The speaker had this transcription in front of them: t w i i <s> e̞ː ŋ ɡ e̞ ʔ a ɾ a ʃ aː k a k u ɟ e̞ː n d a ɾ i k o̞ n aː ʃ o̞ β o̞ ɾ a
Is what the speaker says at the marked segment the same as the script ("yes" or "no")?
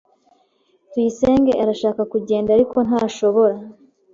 yes